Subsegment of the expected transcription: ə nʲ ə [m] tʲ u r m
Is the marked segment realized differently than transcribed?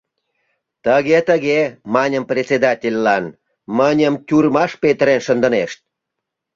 no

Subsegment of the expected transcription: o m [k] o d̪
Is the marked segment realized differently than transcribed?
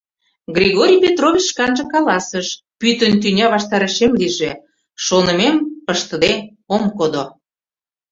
no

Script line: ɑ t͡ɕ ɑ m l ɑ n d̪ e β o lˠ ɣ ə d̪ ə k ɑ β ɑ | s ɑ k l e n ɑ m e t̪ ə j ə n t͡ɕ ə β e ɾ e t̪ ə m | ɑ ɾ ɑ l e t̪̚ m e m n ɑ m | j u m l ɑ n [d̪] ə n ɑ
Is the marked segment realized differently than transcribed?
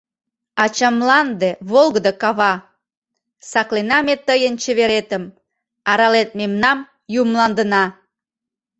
no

